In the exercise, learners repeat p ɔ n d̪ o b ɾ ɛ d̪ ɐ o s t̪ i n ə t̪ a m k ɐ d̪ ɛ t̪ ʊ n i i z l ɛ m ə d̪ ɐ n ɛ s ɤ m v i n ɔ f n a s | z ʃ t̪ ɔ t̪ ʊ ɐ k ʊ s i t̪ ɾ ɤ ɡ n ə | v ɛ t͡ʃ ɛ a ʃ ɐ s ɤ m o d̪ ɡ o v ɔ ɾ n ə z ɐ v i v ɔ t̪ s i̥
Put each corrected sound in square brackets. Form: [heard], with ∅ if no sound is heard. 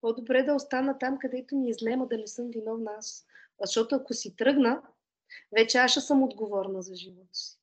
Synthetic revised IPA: p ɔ [∅] d̪ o b ɾ ɛ d̪ ɐ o s t̪ [a] n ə t̪ a m k ɐ d̪ ɛ t̪ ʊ n i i z l ɛ m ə d̪ ɐ n ɛ s ɤ m v i n ɔ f n a s | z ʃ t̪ ɔ t̪ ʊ ɐ k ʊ s i t̪ ɾ ɤ ɡ n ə | v ɛ t͡ʃ ɛ a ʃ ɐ s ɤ m o d̪ ɡ o v ɔ ɾ n ə z ɐ [ʒ] i v ɔ t̪ s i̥